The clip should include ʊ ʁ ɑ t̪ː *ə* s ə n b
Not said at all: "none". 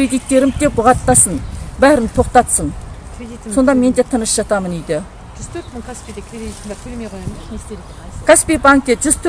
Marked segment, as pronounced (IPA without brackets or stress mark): ɑ